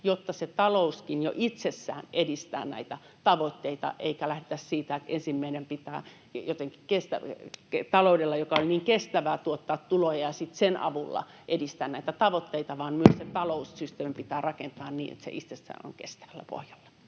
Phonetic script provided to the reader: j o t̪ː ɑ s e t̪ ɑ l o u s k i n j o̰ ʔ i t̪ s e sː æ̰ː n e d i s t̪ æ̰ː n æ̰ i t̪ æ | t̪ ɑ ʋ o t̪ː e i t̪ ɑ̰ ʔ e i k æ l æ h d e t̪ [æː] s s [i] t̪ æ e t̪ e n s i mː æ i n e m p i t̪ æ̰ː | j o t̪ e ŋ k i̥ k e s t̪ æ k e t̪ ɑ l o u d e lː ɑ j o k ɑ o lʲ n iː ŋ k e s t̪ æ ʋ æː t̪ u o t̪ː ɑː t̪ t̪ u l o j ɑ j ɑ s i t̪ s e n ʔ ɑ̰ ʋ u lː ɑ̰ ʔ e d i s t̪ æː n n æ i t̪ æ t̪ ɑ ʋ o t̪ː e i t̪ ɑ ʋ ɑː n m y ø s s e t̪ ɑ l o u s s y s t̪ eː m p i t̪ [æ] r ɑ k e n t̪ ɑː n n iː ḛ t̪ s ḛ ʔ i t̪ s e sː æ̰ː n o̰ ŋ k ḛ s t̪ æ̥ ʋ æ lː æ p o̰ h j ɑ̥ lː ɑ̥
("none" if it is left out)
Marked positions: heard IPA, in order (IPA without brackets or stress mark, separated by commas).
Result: æ, iː, æː